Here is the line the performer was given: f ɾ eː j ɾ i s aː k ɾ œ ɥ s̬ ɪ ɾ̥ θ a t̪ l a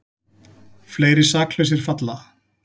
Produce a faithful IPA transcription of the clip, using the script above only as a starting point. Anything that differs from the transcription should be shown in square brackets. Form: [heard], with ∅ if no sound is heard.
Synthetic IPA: f [l] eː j ɾ [ɪ] s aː k [l] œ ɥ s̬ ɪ ɾ̥ [f] a t̪ l a